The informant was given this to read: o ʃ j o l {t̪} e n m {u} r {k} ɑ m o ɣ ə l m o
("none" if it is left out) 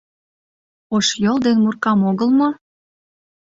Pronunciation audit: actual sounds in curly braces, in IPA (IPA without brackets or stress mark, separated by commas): d̪, u, k